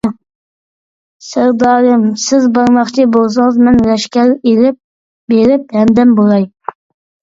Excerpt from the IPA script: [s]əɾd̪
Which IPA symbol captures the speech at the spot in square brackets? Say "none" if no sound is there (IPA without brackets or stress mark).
s